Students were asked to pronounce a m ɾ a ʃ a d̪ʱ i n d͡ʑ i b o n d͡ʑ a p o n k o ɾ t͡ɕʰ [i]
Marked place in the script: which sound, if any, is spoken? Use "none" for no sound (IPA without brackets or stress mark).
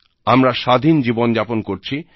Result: i